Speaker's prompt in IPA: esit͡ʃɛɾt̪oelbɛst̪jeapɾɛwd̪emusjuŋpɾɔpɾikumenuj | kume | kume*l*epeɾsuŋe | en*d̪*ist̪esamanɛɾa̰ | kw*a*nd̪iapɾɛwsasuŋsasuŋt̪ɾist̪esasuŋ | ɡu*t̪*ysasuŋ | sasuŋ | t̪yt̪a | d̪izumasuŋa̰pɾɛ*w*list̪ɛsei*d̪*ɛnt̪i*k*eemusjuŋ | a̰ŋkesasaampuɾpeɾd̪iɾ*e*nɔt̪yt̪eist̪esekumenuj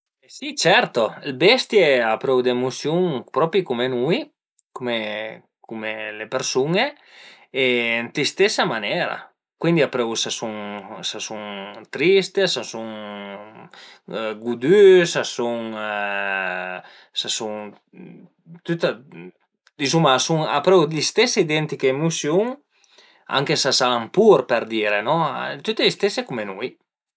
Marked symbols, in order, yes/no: yes, no, no, no, yes, yes, yes, yes

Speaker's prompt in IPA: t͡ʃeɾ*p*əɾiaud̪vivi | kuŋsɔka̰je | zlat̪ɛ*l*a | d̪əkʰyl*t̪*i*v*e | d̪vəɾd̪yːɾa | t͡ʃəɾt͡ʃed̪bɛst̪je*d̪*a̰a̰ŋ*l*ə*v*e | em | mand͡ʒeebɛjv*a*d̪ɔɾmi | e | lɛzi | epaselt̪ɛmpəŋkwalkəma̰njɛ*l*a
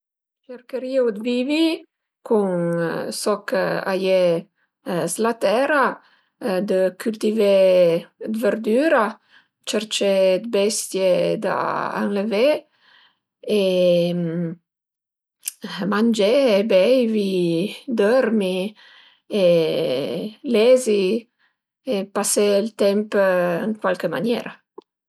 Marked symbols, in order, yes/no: no, no, yes, yes, yes, yes, yes, no, no

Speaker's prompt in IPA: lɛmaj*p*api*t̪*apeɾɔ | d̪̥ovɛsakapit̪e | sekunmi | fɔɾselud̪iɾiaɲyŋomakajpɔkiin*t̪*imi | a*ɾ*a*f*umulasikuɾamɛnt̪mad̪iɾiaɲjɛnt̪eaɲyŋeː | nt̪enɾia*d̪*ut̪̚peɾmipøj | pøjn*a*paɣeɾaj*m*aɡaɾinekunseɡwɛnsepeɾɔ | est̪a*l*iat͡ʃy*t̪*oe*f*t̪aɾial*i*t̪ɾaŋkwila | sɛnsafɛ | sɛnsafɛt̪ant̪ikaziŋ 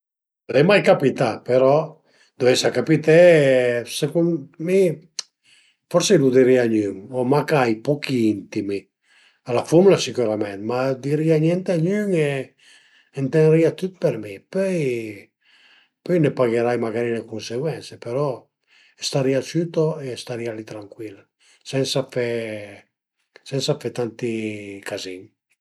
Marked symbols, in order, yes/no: no, yes, yes, no, yes, no, no, yes, no, yes, no, yes

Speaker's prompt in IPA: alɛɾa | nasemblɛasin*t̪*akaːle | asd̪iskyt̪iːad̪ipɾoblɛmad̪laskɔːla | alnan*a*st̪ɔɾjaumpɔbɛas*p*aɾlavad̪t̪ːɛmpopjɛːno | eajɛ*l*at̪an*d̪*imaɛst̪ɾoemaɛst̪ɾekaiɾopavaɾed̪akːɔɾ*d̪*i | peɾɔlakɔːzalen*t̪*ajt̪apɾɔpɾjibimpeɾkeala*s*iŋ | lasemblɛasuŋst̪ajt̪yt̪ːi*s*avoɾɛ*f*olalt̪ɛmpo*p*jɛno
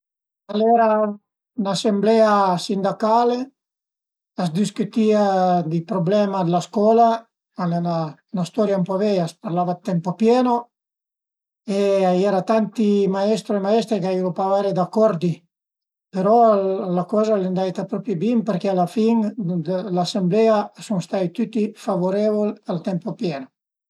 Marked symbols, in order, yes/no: no, yes, yes, no, no, yes, no, no, no, no, yes

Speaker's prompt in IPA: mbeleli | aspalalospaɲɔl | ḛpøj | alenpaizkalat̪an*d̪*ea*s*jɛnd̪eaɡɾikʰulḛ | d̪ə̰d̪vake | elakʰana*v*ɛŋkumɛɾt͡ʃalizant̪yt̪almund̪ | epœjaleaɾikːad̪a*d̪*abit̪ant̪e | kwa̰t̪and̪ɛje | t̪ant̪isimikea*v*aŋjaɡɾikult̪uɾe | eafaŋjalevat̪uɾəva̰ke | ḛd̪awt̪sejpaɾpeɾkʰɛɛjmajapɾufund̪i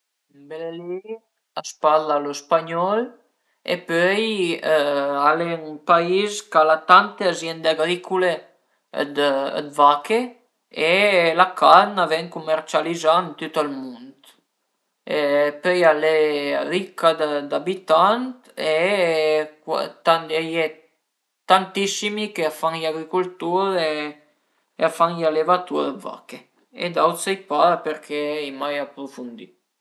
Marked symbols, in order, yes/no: no, no, yes, yes, no

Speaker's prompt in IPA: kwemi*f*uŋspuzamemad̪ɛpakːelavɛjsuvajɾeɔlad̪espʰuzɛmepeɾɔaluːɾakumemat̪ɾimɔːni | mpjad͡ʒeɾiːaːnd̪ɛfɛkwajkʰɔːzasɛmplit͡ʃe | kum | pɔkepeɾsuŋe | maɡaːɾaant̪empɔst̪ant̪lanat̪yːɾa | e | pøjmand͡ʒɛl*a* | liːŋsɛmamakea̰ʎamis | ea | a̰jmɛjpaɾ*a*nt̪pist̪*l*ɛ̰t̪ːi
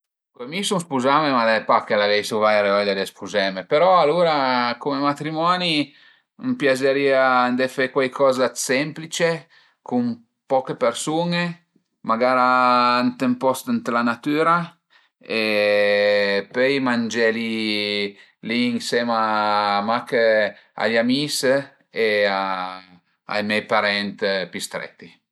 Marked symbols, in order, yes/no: no, no, no, no

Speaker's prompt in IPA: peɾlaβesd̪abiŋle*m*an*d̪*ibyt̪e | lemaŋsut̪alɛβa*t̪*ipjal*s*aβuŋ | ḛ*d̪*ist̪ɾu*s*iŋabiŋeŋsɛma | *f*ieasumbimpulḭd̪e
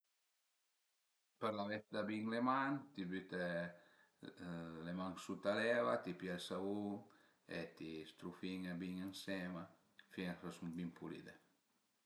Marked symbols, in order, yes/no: yes, no, yes, yes, no, no, yes

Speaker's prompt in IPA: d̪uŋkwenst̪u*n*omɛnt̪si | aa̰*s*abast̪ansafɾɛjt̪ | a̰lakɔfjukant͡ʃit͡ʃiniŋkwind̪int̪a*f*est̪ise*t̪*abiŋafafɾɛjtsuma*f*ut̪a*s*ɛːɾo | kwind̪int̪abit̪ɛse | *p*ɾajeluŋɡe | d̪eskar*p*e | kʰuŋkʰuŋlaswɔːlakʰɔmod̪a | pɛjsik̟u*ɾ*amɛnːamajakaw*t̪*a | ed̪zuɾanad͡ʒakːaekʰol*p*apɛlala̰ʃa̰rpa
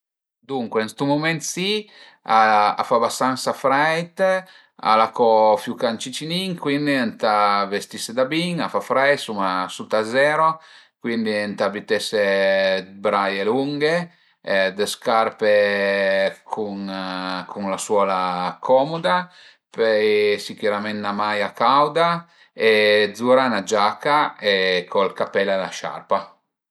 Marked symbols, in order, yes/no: no, no, no, no, no, no, no, yes, yes, no, no

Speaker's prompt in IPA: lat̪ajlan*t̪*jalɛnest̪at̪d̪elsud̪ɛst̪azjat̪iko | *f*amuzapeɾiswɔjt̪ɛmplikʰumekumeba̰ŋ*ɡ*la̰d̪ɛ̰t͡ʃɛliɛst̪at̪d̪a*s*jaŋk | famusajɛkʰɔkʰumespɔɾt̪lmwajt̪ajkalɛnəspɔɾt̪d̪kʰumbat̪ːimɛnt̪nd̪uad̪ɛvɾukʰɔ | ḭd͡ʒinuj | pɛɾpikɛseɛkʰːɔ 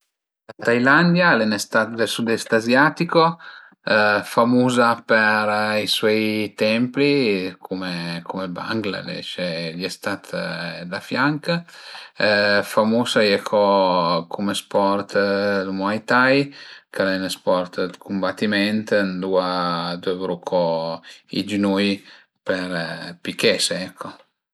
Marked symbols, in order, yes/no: no, yes, yes, no

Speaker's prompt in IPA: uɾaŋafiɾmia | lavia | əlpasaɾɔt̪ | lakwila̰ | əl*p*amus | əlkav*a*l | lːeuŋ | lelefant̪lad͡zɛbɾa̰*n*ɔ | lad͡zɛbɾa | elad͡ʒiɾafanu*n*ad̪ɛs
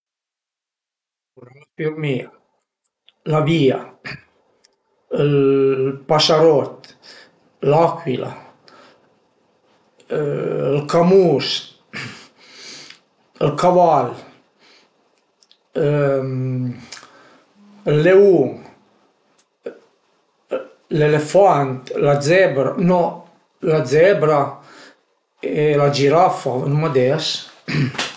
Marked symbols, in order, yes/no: no, yes, yes, no

